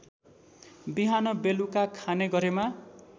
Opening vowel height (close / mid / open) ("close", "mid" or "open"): close